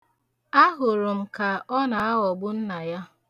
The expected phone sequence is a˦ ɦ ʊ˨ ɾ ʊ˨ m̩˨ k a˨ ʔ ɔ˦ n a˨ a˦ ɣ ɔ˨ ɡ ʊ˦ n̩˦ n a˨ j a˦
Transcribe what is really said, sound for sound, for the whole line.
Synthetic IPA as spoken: a˦ ɦ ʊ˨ ɾ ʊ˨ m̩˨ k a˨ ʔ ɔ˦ n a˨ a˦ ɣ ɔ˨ ɡ͡b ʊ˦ n̩˦ n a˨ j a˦